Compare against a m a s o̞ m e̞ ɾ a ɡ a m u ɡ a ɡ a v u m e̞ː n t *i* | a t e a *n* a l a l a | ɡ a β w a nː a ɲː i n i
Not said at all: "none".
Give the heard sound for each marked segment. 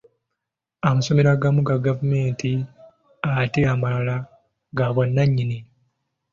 i, m

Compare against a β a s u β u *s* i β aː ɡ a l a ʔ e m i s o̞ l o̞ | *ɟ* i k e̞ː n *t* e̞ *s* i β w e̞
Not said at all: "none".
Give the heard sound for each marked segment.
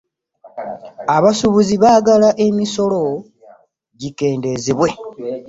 z, ɟ, d, z

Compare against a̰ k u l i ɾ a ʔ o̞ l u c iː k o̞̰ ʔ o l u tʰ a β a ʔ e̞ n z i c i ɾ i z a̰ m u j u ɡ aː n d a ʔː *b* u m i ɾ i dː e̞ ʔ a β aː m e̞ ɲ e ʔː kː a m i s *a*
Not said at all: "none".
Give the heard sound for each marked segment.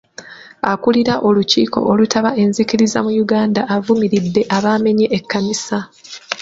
v, a

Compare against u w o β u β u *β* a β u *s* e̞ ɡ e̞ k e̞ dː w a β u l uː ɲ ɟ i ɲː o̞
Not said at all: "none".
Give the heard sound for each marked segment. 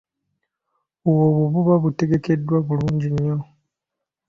β, t

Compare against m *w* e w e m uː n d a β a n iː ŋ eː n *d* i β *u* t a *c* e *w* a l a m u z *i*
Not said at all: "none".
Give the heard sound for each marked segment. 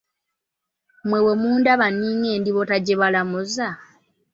w, d, o, ɟ, β, a

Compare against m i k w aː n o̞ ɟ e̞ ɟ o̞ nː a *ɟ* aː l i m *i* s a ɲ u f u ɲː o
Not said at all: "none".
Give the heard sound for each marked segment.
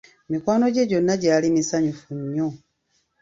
ɟ, i

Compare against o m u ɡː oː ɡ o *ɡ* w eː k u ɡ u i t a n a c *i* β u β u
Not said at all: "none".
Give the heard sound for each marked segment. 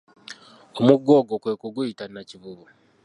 k, i

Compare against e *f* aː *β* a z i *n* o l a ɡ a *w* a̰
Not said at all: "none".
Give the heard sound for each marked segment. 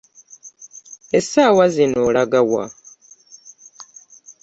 s, w, n, w

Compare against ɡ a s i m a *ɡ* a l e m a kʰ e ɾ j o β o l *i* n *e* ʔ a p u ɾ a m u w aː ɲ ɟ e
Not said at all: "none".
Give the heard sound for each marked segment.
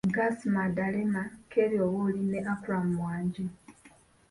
d, i, e

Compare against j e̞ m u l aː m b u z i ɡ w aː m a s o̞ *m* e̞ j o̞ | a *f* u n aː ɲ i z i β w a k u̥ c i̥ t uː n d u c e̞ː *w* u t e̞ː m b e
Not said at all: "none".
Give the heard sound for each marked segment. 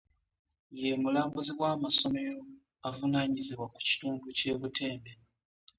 m, v, β

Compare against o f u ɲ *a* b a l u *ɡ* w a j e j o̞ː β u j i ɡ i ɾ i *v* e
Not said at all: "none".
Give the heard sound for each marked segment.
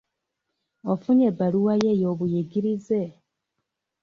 e, none, z

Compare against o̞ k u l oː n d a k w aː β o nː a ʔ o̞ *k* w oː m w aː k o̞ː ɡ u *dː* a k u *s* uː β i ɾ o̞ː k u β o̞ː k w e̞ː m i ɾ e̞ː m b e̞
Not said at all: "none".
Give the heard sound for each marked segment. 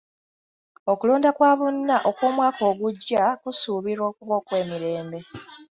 k, ɟː, s

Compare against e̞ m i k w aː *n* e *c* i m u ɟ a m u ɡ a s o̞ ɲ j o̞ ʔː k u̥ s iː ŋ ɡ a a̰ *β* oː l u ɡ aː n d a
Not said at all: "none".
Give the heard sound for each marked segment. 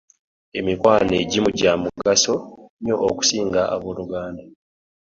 n, ɟ, β

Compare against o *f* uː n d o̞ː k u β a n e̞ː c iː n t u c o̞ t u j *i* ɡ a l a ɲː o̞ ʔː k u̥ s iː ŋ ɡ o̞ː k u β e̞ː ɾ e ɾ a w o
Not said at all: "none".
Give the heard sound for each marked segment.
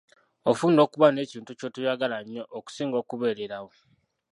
f, a

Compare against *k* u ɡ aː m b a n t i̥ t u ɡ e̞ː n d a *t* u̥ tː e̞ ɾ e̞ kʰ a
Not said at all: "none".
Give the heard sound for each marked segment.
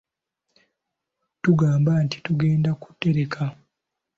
t, k

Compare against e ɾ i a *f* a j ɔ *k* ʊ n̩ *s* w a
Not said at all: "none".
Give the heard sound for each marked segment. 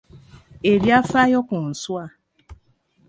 f, k, s

